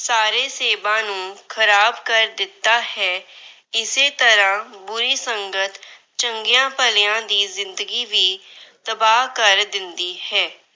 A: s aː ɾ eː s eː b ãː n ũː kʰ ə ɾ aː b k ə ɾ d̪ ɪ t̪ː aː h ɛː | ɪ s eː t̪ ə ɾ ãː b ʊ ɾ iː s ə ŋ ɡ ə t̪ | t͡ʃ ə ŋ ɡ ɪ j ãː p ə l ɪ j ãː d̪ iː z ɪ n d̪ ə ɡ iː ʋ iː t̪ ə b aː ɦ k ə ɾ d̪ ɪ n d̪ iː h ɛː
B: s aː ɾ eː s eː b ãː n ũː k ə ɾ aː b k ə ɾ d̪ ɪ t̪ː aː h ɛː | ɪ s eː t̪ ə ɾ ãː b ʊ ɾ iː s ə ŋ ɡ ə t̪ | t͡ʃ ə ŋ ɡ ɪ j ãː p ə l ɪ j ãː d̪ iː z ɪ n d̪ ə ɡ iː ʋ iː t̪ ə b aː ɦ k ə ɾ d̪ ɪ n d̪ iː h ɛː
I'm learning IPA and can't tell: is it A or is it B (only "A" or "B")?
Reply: A